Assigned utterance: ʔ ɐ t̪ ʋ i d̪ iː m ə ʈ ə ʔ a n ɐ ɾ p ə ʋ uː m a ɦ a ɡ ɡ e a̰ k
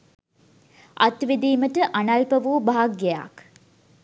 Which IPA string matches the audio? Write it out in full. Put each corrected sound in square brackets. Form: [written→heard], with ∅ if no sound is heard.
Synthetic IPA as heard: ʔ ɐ t̪ ʋ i d̪ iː m ə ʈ ə ʔ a n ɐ [ɾ→l] p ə ʋ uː [m→b] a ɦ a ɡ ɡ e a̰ k